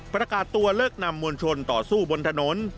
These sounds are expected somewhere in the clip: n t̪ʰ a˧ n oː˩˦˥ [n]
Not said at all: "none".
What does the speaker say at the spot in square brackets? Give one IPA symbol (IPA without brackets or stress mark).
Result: n